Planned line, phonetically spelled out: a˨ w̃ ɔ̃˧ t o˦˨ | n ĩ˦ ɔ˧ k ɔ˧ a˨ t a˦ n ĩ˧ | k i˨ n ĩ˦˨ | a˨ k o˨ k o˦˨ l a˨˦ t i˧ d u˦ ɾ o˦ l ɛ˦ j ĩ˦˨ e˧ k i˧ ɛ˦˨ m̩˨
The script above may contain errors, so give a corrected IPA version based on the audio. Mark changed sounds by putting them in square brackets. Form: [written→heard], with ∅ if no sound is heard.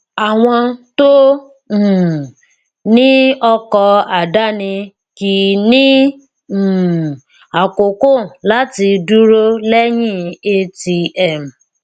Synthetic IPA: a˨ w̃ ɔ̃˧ t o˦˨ | n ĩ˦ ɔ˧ k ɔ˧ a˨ [t→d] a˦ n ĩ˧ | k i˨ n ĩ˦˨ | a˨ k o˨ k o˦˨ l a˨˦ t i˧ d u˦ ɾ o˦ l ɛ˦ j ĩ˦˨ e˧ [k→t] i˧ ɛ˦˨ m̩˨